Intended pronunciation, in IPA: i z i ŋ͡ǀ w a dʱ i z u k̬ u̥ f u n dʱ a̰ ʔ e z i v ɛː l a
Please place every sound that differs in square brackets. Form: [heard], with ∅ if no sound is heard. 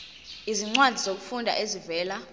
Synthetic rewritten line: i z i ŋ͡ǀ w a dʱ i z [o] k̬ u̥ f u n dʱ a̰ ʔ e z i v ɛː l a